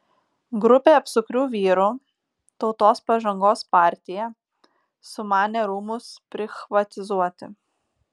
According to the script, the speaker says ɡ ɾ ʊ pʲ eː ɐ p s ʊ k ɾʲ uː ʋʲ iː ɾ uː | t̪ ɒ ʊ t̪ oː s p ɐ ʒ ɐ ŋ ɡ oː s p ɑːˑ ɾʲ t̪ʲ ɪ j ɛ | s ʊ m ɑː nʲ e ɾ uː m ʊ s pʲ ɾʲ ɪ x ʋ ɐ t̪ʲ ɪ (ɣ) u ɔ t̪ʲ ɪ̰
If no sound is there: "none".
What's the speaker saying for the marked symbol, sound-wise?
z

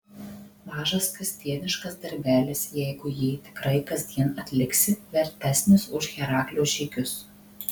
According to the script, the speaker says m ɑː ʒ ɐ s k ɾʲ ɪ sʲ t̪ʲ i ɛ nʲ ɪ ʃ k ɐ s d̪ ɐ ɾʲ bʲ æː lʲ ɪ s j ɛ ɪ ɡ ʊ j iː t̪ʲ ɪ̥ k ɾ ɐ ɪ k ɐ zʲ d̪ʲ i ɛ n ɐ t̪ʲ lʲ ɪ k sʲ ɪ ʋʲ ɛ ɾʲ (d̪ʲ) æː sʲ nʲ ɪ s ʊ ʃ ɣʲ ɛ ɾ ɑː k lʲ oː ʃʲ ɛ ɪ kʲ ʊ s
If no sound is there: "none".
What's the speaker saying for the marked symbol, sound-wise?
t̪ʲ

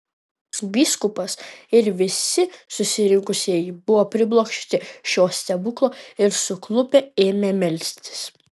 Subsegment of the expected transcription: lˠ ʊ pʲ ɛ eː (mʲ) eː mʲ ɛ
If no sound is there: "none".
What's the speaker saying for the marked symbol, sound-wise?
mʲ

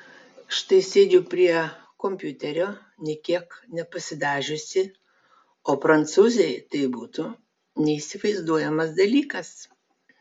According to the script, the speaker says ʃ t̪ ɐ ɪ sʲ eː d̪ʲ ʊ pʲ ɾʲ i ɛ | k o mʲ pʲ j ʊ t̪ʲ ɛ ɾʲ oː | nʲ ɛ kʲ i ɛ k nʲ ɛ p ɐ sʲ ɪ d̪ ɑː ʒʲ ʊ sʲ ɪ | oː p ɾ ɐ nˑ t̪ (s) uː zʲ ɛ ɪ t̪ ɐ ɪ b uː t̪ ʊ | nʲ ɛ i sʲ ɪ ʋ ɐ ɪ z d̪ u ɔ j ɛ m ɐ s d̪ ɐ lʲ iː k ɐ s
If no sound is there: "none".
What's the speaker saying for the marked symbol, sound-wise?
s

